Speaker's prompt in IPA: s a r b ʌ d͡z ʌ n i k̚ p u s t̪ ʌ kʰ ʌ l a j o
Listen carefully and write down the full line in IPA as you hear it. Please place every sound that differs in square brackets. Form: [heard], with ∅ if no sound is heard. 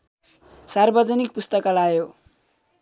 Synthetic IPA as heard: s a r b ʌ d͡z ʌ n i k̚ p u s t̪ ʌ [k] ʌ l a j o